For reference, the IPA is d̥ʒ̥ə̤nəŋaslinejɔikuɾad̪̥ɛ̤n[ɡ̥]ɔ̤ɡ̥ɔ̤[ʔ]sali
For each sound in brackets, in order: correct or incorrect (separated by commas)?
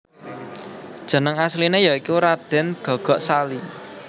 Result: correct, correct